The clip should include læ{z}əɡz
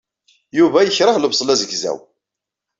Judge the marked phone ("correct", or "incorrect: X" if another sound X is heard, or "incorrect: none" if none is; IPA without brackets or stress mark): correct